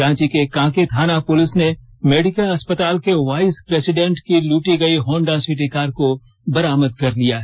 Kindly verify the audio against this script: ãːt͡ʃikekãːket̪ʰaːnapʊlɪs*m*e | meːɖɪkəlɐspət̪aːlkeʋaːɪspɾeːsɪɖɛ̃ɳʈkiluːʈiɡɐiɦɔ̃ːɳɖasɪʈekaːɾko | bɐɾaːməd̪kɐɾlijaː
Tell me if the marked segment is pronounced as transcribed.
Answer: no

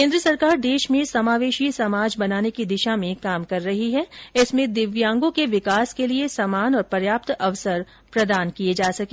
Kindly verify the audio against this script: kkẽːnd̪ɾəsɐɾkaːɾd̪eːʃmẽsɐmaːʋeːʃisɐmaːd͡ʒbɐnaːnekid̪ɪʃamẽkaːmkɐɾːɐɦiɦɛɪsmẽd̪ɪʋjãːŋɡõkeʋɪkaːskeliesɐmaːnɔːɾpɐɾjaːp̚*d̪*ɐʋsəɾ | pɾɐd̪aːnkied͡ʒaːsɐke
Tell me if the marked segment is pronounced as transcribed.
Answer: no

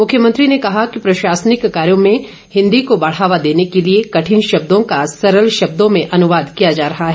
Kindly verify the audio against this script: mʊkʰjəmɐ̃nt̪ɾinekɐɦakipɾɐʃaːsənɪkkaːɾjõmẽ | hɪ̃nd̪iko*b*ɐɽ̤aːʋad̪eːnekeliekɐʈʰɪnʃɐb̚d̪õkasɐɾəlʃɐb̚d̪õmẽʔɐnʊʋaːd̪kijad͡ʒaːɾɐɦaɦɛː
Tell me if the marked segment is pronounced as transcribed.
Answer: yes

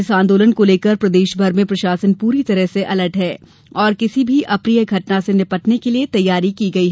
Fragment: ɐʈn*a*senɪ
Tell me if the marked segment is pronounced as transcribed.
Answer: yes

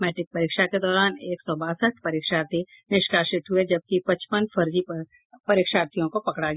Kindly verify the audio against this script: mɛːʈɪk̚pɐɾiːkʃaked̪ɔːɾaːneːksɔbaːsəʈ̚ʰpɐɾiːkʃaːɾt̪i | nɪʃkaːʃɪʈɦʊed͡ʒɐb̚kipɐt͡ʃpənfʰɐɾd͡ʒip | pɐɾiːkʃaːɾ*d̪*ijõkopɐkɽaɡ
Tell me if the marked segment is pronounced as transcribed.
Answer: no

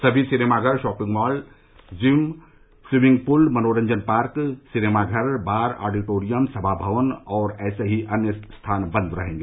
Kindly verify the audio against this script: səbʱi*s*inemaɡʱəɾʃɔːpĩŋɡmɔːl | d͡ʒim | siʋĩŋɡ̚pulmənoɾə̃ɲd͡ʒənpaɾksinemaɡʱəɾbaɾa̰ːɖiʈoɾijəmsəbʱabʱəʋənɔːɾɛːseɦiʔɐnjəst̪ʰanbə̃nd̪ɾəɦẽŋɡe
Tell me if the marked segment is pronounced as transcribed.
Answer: yes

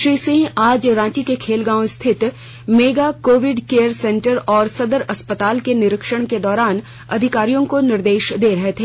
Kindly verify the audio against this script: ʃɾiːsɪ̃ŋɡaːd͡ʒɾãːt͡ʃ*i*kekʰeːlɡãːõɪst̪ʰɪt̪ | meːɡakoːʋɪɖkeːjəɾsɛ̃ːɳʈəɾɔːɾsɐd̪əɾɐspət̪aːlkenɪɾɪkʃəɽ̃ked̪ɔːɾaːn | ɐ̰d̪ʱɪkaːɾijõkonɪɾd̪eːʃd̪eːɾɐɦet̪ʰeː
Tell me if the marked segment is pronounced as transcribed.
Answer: yes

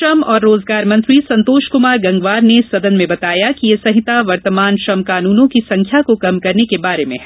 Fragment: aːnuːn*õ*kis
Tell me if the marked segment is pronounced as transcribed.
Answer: yes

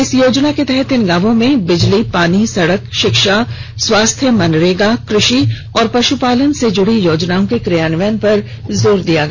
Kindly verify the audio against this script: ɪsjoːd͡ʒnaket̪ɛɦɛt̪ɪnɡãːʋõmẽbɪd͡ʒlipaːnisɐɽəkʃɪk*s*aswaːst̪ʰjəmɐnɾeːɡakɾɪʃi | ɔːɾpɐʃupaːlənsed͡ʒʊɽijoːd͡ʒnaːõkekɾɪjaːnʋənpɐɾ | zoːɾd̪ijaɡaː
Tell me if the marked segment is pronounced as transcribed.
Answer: no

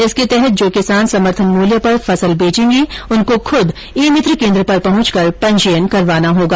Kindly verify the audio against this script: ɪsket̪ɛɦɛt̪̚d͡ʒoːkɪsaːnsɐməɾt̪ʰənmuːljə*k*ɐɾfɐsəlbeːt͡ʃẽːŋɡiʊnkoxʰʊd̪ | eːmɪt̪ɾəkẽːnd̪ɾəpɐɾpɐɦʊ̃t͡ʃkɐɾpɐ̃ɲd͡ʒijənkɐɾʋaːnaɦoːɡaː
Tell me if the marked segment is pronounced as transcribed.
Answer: no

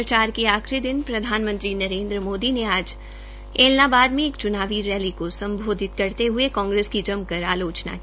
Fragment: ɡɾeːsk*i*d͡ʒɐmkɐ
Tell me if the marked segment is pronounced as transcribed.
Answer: yes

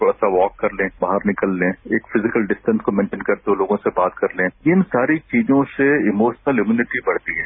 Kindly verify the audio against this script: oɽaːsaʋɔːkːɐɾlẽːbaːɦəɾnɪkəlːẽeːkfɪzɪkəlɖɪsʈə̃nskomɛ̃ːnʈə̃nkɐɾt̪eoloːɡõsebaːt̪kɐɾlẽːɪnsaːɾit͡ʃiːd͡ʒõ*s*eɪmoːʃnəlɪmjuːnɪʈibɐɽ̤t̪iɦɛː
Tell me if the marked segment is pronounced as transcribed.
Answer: yes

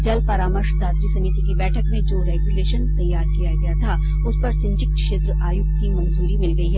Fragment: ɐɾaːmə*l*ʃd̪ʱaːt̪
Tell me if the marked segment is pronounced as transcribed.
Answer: no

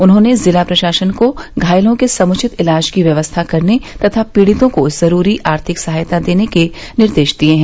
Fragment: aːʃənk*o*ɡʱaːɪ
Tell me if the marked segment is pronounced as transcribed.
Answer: yes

